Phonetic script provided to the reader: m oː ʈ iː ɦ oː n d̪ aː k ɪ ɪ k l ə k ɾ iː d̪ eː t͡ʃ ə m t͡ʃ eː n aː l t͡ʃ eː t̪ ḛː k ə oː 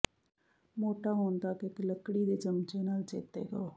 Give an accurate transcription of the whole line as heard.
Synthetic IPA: m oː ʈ aː ɦ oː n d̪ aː k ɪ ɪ k l ə k ɽ iː d̪ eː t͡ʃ ə m t͡ʃ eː n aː l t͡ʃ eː t̪ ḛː ɡ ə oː